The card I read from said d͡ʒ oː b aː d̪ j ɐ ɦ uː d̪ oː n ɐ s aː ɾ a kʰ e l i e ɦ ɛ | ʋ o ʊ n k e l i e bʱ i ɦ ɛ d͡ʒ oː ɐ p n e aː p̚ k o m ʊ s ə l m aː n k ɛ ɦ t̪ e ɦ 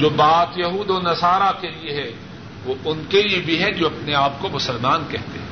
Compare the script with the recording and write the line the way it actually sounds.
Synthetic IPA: d͡ʒ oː b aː t̪ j ɐ ɦ uː d̪ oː n ɐ s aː ɾ a k e l i e ɦ ɛ | ʋ o ʊ n k e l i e bʱ i ɦ ɛ d͡ʒ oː ɐ p n e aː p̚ k o m ʊ s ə l m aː n k ɛ ɦ t̪ e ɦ